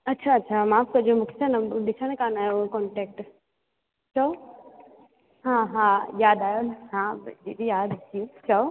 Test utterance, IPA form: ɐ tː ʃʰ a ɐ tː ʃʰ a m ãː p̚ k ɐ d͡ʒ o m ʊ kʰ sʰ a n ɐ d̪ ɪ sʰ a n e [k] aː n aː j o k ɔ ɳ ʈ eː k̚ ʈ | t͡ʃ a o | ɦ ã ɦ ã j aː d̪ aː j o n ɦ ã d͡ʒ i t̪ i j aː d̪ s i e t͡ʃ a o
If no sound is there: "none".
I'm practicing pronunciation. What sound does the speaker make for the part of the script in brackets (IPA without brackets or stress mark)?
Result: k